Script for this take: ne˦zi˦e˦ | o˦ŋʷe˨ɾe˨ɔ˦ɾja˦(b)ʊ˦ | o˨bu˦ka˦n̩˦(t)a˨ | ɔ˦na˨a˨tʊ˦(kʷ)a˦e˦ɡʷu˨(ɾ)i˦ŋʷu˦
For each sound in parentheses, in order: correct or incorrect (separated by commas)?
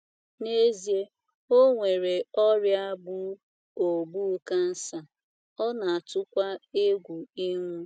correct, incorrect, correct, incorrect